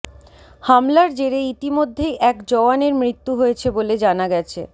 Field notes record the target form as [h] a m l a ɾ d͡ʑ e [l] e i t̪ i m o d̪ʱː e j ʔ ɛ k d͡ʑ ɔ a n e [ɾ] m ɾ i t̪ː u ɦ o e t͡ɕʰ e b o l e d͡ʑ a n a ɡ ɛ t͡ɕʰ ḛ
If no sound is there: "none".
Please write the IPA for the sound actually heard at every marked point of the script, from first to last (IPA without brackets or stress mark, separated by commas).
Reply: h, ɾ, ɾ